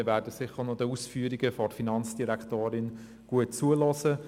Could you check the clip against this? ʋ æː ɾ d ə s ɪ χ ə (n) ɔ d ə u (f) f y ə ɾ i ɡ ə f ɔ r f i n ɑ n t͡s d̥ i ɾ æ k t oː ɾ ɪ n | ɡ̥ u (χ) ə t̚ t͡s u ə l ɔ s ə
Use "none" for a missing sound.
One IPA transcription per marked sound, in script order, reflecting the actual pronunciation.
n, s, none

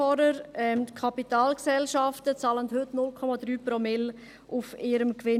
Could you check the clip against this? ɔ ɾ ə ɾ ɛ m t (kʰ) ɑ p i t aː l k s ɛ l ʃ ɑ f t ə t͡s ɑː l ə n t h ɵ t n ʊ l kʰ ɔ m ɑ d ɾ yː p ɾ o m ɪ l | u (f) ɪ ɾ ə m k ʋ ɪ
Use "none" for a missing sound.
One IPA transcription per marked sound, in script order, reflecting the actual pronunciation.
kʰ, f

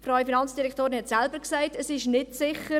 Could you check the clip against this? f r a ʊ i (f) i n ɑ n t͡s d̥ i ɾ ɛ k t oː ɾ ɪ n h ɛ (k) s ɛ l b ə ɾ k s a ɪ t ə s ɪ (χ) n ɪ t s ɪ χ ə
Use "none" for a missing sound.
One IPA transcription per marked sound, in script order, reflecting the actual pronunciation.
f, t, ʃ

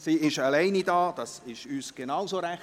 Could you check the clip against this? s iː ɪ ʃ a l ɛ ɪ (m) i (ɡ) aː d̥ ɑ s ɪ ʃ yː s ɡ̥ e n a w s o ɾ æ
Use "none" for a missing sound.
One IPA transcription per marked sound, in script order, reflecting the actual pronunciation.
n, d

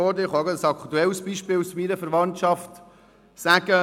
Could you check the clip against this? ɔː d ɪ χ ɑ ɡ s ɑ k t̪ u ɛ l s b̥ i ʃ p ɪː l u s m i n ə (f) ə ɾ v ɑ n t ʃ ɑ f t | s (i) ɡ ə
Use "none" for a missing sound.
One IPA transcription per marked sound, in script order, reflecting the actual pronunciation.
f, æ

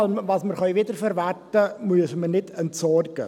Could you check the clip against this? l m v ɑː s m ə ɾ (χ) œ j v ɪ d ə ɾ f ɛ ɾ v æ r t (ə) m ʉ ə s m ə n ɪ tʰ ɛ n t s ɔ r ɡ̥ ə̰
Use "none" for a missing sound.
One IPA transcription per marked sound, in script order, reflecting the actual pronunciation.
χ, ə

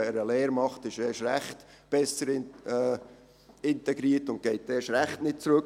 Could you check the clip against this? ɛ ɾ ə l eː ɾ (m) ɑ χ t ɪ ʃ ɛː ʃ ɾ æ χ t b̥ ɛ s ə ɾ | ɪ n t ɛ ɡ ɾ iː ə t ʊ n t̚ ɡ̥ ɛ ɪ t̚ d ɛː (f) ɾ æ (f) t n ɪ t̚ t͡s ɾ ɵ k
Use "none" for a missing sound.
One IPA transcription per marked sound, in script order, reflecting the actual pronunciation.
m, ʃ, χ

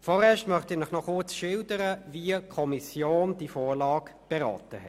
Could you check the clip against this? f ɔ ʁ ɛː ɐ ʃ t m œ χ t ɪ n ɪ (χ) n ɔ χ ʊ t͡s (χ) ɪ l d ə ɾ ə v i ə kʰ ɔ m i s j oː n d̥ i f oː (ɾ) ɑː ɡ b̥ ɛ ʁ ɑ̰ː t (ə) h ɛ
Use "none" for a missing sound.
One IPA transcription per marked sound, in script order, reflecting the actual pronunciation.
χ, ʃ, l, ə

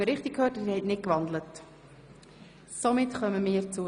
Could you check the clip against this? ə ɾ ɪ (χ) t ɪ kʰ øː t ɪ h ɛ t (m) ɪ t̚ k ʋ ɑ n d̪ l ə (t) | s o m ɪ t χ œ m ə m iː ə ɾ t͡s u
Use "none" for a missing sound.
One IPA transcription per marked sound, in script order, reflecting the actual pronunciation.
χ, n, t

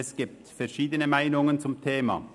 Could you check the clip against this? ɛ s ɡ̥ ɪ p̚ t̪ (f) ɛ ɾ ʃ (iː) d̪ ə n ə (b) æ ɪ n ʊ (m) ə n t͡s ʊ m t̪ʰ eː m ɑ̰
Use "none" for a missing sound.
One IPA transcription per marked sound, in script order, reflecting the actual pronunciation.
f, iː, m, ŋ

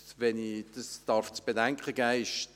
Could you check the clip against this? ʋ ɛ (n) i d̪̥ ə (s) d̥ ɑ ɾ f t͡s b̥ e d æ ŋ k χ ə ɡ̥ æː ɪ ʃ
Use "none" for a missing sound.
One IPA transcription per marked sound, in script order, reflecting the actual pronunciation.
n, s

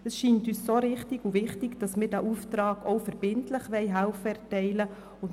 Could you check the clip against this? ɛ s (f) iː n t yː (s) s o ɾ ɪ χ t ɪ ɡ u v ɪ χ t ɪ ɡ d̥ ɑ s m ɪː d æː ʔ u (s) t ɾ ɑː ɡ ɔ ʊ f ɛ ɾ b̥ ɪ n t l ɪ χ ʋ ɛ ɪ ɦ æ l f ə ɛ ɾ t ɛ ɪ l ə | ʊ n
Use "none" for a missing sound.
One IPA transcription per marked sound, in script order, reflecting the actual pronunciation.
ʃ, s, f

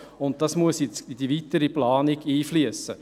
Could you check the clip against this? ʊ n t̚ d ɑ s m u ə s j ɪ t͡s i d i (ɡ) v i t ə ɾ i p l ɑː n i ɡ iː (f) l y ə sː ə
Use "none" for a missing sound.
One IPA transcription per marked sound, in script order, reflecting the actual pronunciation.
none, f

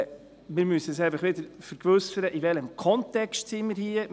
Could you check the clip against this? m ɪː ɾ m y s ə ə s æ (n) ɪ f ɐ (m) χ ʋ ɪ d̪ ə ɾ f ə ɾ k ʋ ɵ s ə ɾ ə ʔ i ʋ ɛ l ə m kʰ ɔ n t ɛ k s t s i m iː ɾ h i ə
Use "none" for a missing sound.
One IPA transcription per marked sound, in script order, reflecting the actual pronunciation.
none, none

